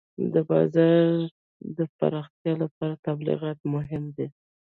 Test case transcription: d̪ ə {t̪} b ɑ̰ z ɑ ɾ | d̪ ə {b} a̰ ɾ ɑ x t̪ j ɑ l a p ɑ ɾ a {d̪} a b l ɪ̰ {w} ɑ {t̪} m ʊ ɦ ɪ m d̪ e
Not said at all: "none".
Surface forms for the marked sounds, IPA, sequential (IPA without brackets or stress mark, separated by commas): none, p, t̪, ɣ, t̪